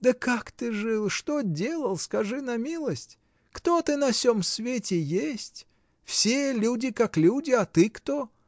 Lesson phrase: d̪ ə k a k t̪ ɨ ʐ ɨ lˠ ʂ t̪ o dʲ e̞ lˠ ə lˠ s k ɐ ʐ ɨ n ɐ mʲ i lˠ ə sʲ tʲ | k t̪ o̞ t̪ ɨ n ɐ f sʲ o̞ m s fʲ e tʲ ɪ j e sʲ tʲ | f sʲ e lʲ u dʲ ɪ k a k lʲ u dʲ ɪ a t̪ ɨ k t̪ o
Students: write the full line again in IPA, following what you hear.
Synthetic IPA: d̪ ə k a k t̪ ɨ ʐ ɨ lˠ ʂ t̪ o dʲ e̞ lˠ ə lˠ s k ɐ ʐ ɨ n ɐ mʲ i lˠ ə sʲ tʲ | k t̪ o̞ t̪ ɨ n ɐ f sʲ o̞ m s vʲ e tʲ ɪ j e sʲ tʲ | f sʲ e lʲ u dʲ ɪ k a k lʲ u dʲ ɪ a t̪ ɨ k t̪ o